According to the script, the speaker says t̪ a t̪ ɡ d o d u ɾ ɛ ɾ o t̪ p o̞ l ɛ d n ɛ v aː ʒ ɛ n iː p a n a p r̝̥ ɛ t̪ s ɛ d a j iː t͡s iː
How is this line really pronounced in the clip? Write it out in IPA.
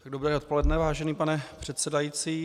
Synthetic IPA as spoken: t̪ a ɡ d o b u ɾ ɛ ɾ o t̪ p o̞ l ɛ d n ɛ v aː ʒ ɛ n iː p a n ɛ p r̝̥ ɛ t̪ s ɛ d a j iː t͡s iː